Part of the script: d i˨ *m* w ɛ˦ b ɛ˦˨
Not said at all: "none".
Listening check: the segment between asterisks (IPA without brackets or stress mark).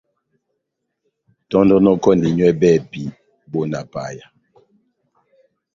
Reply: ɲ